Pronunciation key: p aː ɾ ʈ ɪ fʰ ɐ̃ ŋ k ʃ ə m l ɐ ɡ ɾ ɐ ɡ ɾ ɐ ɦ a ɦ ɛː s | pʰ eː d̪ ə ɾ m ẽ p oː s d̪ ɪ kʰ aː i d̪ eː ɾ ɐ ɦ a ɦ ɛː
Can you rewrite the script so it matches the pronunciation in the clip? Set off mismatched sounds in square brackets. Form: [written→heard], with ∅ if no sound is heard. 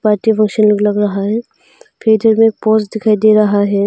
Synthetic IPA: p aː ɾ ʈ [ɪ→i] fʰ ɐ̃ ŋ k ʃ ə [m→n] l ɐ ɡ [ɾ→l] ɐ ɡ ɾ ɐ ɦ a ɦ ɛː [s→∅] | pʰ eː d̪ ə ɾ m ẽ p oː s d̪ ɪ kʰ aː i d̪ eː ɾ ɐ ɦ a ɦ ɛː